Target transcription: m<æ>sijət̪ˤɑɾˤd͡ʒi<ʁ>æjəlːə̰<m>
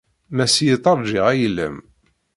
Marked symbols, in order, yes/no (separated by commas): yes, yes, yes